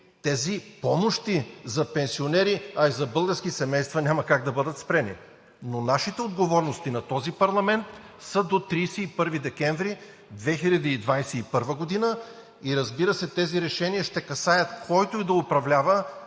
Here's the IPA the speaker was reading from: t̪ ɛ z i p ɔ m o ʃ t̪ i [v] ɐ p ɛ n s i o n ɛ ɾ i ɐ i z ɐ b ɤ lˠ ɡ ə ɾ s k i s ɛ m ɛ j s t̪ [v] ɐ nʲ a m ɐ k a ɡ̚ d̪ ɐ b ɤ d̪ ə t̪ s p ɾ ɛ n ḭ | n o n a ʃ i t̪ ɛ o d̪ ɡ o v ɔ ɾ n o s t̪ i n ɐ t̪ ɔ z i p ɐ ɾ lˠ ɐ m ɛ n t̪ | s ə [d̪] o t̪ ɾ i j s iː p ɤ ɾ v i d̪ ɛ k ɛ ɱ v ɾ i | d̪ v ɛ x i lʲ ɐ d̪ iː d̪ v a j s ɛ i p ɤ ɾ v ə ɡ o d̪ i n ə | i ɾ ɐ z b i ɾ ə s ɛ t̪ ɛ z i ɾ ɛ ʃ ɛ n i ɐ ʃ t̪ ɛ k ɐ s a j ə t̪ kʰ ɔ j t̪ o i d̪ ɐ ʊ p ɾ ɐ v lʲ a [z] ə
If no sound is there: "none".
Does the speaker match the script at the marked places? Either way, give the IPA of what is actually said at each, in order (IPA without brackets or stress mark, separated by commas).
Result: z, v, d̪, v